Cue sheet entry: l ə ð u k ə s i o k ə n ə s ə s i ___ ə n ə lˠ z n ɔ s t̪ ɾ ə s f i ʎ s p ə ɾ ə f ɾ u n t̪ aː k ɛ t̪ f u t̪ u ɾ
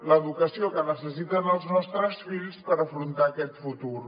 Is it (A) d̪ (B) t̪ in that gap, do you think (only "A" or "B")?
B